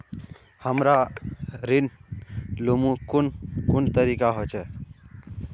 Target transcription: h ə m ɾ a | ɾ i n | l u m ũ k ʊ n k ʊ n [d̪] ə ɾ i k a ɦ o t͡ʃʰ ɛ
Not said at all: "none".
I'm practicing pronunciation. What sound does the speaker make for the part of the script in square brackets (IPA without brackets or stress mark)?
t̪